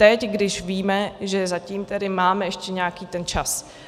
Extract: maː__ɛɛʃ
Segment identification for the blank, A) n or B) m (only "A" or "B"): B